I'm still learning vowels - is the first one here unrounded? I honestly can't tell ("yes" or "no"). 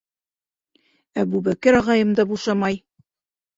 yes